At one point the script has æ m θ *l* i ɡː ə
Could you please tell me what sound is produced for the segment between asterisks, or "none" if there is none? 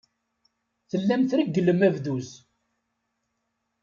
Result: ɾ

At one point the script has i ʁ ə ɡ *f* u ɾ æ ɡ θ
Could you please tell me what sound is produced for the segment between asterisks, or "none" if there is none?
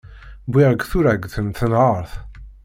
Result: θ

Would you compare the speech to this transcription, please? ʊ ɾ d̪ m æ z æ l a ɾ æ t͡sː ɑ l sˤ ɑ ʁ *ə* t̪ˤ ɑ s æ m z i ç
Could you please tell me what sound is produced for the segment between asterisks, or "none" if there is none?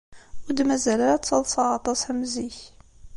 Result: ɑ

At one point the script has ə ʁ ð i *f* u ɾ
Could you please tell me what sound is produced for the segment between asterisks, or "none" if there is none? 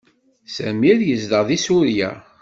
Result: s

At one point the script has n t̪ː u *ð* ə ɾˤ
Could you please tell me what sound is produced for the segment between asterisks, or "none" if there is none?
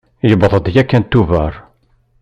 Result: v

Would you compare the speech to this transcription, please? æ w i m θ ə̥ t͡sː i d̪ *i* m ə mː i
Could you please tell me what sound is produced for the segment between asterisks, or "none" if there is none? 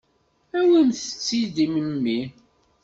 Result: i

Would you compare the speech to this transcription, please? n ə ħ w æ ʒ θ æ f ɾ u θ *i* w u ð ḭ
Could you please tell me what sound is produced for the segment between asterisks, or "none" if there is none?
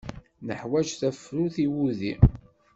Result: i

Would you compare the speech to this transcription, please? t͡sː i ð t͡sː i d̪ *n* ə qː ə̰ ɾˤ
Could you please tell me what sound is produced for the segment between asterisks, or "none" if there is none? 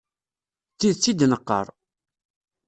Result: n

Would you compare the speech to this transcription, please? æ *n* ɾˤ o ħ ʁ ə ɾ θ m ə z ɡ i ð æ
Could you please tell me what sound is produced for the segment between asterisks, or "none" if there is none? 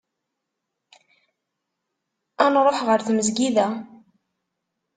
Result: n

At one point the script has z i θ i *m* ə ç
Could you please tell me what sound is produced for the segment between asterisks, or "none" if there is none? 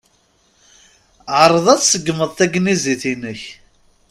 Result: n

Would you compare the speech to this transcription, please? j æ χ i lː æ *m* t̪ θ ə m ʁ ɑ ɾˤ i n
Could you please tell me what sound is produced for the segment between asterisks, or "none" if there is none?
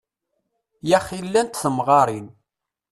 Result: n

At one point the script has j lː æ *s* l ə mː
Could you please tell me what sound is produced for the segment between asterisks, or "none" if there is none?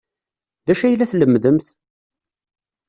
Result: θ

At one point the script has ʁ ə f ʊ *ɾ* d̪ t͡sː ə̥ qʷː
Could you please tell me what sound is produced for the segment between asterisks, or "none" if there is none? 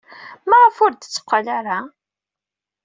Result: ɾ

